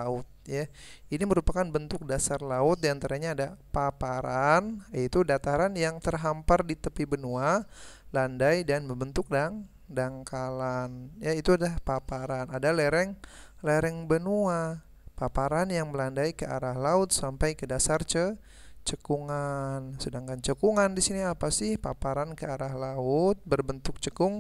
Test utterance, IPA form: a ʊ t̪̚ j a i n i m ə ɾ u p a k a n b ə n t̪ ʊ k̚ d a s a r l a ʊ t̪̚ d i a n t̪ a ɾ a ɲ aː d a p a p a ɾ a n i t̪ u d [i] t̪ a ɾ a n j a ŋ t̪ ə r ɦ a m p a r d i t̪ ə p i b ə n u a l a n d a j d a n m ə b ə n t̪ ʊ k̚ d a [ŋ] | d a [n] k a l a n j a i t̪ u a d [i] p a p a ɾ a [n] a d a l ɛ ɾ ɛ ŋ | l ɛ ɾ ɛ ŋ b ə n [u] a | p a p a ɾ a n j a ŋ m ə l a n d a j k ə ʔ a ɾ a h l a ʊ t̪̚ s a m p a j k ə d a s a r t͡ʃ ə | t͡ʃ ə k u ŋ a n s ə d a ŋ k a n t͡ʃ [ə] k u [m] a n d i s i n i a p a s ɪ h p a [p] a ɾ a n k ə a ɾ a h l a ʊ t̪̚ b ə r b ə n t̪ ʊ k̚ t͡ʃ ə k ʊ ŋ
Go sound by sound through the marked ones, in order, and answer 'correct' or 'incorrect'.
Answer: incorrect: a, correct, incorrect: ŋ, incorrect: a, correct, correct, correct, incorrect: ŋ, correct

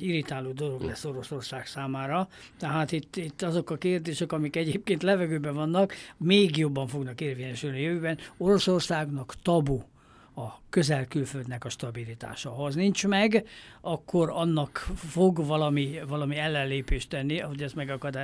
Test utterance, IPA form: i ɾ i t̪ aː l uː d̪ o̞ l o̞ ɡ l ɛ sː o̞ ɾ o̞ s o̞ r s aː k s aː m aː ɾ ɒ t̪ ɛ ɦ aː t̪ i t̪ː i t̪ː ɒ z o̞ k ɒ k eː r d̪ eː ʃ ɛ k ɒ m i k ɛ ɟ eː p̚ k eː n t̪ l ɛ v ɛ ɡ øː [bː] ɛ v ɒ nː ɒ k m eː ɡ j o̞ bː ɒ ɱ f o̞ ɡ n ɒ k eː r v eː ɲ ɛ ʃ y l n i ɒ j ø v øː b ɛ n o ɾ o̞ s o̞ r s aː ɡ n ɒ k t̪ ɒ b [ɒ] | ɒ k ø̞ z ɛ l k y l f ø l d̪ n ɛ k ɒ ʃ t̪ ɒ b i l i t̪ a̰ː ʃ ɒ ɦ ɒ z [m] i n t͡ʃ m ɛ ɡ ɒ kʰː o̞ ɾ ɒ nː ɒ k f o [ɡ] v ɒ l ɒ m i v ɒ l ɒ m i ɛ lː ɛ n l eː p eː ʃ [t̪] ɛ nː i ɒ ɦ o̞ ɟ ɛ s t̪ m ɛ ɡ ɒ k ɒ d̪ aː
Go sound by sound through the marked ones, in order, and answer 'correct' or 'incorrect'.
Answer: incorrect: b, incorrect: u, incorrect: n, correct, correct

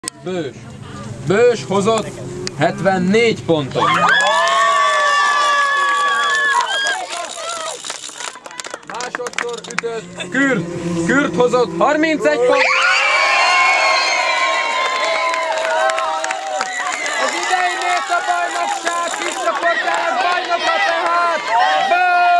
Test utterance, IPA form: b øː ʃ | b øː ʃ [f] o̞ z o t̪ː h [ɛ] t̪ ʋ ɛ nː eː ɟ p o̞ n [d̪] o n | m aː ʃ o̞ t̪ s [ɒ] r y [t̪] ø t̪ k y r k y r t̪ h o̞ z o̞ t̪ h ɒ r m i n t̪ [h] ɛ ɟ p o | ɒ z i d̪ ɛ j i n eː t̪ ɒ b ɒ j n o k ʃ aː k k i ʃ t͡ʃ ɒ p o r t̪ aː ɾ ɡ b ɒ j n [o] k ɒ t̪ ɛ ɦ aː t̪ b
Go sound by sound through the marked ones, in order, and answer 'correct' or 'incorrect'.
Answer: incorrect: h, correct, incorrect: t̪, incorrect: o, correct, incorrect: s, correct

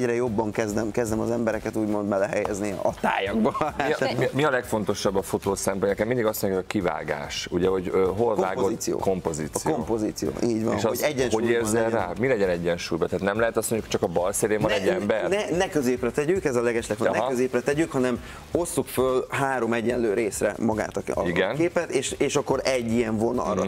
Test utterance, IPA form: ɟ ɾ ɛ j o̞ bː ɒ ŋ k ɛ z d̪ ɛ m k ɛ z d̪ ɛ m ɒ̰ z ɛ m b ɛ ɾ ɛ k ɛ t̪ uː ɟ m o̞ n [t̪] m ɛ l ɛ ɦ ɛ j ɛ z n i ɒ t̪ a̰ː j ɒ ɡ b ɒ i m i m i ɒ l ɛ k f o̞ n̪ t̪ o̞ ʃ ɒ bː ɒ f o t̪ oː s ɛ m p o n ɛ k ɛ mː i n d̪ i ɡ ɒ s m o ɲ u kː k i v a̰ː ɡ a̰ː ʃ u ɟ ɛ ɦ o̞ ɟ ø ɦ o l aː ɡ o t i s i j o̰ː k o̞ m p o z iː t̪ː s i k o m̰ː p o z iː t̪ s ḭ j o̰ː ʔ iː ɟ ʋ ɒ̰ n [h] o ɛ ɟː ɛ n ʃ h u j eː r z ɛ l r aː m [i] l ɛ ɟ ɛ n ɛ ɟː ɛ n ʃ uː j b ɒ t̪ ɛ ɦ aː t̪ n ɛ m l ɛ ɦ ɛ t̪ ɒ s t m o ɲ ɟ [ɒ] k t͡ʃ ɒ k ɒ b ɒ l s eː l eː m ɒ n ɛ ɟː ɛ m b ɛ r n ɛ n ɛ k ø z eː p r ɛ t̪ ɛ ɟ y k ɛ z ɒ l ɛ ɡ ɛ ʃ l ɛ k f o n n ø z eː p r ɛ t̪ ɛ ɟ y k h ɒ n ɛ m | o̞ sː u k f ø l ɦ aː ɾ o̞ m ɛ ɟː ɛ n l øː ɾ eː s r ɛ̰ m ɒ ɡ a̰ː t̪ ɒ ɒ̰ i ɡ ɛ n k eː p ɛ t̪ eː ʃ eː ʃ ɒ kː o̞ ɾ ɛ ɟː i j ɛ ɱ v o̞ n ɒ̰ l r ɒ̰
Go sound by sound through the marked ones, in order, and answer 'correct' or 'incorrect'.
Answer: incorrect: d̪, incorrect: ʃ, correct, incorrect: u

